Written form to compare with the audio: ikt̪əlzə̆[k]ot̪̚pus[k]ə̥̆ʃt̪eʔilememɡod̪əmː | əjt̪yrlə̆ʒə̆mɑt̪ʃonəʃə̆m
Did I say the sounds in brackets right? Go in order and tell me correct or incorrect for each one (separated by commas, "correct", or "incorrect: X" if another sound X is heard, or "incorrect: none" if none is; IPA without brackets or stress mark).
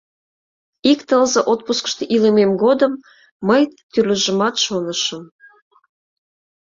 incorrect: ʔ, correct